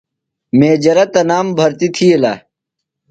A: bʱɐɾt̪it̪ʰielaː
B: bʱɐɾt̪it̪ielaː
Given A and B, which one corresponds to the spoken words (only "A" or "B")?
A